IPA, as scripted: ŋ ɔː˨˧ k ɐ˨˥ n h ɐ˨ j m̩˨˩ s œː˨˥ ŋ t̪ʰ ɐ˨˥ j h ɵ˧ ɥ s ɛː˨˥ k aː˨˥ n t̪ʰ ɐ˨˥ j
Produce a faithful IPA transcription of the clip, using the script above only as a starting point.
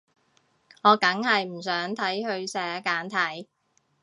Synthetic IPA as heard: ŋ ɔː˨˧ k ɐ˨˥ ŋ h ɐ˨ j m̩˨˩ s œː˨˥ ŋ t̪ʰ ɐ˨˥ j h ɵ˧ ɥ s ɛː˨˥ k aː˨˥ n t̪ʰ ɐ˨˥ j